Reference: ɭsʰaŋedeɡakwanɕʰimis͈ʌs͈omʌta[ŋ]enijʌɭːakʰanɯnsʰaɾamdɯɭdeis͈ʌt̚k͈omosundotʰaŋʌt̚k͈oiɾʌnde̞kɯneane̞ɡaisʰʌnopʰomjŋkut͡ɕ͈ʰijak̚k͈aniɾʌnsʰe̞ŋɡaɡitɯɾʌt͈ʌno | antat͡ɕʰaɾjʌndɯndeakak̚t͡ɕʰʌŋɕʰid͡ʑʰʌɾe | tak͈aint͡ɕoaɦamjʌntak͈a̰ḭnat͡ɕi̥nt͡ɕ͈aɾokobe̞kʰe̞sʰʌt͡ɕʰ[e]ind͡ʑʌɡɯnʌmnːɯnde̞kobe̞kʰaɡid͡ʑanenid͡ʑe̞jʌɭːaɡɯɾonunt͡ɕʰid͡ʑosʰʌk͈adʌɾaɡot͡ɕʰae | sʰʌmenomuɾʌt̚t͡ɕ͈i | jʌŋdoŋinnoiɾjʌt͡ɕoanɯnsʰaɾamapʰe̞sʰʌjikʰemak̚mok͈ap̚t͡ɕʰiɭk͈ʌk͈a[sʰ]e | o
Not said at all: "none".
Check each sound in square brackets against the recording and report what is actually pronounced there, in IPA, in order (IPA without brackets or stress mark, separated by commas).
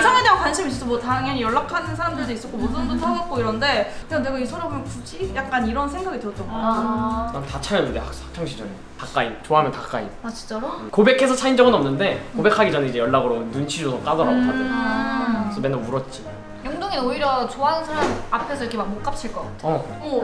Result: ŋ, a, tʰ